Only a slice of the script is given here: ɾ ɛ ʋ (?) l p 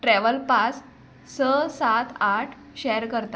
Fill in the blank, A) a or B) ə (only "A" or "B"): B